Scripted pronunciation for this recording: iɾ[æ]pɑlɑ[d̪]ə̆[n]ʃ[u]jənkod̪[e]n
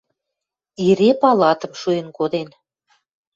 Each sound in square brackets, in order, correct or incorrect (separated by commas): incorrect, incorrect, incorrect, correct, correct